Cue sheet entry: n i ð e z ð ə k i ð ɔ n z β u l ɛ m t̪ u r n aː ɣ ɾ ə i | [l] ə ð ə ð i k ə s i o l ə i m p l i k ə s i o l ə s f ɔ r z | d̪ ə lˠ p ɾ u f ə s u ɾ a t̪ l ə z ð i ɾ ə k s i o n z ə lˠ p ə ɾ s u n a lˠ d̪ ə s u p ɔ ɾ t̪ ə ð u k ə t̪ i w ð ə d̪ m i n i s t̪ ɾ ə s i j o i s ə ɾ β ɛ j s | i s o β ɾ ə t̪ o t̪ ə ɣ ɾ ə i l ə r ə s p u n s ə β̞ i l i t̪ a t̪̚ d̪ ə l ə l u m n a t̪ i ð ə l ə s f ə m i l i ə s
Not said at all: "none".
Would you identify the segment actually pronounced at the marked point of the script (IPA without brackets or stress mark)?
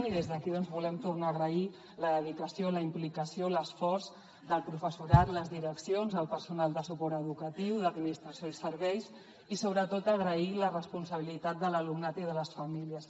l